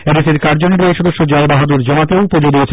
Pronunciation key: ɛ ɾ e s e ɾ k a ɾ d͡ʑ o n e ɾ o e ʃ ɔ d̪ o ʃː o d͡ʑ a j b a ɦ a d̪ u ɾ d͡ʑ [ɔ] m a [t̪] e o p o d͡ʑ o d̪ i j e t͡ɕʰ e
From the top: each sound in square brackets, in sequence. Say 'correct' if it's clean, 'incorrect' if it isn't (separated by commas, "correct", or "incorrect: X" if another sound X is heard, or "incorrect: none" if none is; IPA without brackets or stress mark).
correct, correct